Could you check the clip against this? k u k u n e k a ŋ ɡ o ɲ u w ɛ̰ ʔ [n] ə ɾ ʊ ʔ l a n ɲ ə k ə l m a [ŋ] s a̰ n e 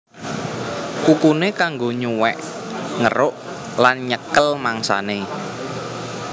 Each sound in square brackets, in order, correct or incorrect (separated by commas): incorrect, correct